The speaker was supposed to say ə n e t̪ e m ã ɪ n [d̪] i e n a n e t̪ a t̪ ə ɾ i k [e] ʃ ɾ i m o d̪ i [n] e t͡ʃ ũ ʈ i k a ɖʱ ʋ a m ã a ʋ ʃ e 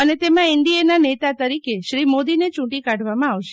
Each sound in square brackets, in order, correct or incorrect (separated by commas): correct, correct, correct